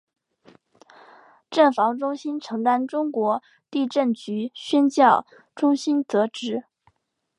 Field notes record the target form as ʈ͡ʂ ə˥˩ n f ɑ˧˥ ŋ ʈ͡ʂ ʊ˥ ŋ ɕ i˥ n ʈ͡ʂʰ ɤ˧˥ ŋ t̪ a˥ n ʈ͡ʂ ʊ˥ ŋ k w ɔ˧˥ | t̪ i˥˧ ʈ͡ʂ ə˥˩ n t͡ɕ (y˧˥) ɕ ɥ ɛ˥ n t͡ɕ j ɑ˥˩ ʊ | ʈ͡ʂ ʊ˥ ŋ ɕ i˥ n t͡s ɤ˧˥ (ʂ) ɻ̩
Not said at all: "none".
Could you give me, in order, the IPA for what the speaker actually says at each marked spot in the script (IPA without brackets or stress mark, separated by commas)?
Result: y˧˥, ʈ͡ʂ